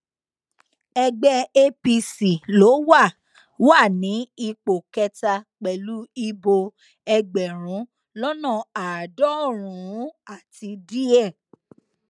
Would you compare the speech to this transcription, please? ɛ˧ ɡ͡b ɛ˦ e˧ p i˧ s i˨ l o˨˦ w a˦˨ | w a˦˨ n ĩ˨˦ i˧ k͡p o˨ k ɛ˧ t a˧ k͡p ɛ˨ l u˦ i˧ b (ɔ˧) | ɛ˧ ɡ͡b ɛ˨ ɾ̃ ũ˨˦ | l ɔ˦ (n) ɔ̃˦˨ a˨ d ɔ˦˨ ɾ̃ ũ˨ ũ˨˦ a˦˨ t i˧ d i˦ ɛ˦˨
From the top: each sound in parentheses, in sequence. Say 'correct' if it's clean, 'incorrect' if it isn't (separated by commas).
incorrect, correct